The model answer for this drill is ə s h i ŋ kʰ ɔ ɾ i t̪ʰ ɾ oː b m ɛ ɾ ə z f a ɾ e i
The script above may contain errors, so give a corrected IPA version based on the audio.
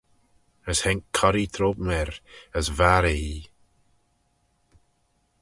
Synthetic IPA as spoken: ə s h ɛ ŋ kʰ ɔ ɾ i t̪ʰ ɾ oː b m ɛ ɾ ə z v a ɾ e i